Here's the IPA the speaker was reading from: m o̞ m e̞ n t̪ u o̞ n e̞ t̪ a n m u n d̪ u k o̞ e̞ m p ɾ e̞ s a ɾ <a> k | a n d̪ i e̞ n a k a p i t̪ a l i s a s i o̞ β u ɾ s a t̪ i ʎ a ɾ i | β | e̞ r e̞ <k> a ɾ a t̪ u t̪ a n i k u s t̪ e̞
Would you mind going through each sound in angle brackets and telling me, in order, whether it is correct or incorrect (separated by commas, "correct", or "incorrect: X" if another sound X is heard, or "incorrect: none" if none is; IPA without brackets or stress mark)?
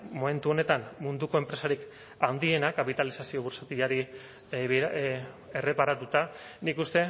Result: incorrect: i, incorrect: p